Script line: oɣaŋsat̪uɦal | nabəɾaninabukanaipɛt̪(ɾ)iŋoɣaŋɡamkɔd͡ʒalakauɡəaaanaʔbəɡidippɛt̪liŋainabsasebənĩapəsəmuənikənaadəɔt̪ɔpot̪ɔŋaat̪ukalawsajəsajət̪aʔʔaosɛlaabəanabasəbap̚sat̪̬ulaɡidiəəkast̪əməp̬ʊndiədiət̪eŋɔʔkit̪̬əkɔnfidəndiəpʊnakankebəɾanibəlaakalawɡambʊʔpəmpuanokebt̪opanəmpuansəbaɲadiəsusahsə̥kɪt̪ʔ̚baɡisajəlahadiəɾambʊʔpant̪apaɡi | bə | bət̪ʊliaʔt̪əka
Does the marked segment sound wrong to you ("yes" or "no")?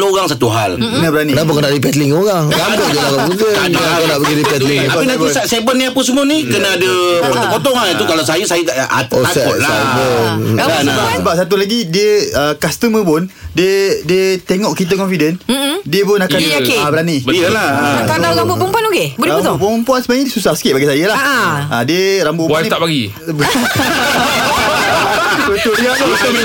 yes